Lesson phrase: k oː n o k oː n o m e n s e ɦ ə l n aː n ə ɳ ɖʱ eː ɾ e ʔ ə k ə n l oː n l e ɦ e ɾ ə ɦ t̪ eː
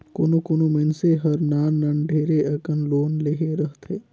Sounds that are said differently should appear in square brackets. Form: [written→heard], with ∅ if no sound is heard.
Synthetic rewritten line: k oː n o k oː n o m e n s e ɦ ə [l→ɾ] n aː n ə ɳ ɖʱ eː ɾ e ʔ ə k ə n l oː n l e ɦ e ɾ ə ɦ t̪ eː